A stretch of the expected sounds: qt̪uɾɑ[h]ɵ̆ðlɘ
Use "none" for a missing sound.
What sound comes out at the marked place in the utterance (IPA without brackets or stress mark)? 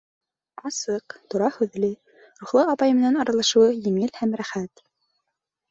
h